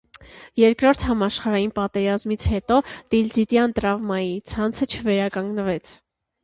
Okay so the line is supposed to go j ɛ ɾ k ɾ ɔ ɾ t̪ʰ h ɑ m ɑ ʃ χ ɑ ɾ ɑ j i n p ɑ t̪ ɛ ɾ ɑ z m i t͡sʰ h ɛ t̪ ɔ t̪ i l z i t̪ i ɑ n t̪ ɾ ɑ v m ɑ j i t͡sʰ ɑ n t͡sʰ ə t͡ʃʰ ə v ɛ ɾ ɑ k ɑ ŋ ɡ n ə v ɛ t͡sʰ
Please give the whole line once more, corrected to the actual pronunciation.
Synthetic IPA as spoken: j ɛ ɾ k ɾ ɔ ɾ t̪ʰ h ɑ m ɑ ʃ χ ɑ ɾ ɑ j i n p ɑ t̪ ɛ ɾ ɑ z m i t͡sʰ h ɛ t̪ ɔ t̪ i l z i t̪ j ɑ n t̪ ɾ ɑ v m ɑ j i t͡sʰ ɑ n t͡sʰ ə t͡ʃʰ ə v ɛ ɾ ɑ k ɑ ŋ ɡ n ə v ɛ t͡sʰ